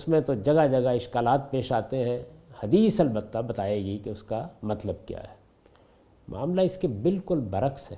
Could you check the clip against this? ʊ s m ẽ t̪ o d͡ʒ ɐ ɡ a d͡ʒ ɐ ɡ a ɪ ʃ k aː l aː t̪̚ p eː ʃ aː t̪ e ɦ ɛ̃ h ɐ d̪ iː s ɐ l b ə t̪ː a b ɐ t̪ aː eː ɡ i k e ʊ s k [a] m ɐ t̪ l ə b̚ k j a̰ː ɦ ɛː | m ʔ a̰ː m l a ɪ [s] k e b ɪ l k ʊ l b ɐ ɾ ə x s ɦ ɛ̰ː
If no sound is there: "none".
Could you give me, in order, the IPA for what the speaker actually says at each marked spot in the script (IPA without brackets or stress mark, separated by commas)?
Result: a, s